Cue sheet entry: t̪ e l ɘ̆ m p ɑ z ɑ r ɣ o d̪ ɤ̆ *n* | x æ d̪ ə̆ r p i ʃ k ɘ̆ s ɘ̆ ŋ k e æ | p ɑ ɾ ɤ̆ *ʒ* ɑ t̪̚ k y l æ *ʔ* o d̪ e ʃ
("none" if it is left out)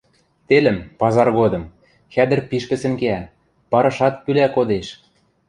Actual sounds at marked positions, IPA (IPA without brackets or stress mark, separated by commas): m, ʃ, k